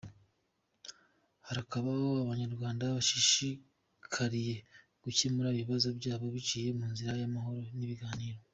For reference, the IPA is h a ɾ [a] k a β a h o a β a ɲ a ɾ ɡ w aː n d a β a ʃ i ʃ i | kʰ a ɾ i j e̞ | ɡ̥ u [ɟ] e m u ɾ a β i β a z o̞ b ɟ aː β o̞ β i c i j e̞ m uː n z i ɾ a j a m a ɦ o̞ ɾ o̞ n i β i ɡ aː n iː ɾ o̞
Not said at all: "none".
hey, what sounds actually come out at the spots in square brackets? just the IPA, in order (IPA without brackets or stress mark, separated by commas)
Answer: a, c